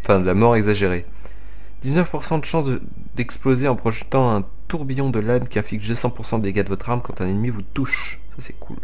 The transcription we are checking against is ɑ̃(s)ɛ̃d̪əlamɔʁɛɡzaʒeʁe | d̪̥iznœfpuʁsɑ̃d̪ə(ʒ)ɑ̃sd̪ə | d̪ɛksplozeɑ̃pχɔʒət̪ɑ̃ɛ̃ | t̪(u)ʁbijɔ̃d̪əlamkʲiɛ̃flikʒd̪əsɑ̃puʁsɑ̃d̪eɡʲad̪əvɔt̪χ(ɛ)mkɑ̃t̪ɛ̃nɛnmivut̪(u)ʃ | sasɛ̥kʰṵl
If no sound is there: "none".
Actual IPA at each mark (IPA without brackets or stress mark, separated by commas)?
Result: f, ʃ, u, a, u